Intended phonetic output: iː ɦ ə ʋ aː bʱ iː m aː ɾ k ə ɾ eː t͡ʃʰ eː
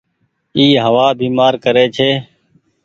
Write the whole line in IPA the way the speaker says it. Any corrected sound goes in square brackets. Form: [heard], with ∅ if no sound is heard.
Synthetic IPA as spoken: iː ɦ ə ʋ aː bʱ iː m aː ɾ k ə ɾ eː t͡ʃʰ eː